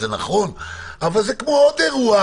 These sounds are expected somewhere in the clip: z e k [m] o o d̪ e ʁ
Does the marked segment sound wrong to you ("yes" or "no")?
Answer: no